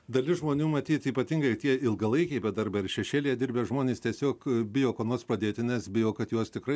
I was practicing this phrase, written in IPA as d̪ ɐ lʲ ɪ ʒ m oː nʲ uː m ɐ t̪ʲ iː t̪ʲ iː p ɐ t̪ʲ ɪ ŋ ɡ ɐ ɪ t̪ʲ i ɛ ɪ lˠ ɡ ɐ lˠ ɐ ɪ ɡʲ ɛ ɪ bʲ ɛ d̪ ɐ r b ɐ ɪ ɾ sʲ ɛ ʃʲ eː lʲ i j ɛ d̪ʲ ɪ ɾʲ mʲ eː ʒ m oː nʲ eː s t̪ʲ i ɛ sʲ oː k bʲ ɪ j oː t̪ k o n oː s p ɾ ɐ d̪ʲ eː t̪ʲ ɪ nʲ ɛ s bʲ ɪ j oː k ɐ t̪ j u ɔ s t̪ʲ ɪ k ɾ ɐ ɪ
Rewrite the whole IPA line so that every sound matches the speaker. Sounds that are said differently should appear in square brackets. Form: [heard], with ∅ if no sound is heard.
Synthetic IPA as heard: d̪ ɐ lʲ ɪ ʒ m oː nʲ uː m ɐ t̪ʲ iː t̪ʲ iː p ɐ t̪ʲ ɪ ŋ ɡ ɐ ɪ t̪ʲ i ɛ ɪ lˠ ɡ ɐ lˠ ɐ ɪ [kʲ] ɛ ɪ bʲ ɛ d̪ ɐ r b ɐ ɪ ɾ [ʃʲ] ɛ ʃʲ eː lʲ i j ɛ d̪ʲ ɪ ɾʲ [bʲ] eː ʒ m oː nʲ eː s t̪ʲ i ɛ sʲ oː k bʲ ɪ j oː [∅] k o n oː s p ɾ ɐ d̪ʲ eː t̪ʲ ɪ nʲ ɛ s bʲ ɪ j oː k ɐ t̪ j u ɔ s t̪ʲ ɪ k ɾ ɐ ɪ